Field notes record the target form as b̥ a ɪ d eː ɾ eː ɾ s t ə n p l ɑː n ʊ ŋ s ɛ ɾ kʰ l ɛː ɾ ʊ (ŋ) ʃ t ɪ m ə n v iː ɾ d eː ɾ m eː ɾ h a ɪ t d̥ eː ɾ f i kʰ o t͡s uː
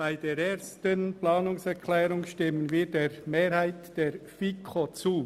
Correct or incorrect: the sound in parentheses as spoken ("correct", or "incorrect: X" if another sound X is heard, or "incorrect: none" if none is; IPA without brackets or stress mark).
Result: correct